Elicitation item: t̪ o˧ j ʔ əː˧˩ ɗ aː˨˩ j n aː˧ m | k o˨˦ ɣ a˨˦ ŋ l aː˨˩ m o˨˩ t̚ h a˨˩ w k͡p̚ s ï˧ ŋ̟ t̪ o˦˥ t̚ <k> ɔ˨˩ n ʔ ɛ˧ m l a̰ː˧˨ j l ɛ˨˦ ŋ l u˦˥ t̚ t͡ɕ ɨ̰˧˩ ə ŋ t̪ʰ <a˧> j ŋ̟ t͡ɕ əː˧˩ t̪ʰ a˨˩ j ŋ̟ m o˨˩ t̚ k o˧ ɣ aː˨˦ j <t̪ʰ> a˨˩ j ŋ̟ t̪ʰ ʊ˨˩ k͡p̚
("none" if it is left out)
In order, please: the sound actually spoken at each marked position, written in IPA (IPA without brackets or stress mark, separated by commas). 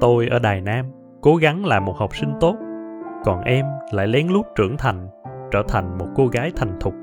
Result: k, a˨˩, t̪ʰ